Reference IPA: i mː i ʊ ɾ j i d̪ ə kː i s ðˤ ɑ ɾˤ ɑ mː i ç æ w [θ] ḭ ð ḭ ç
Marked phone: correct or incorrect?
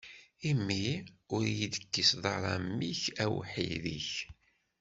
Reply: incorrect